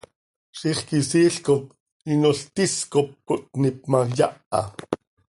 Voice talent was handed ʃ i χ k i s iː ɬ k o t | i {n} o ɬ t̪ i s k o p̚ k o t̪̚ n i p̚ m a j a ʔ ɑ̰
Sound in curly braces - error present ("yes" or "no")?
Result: no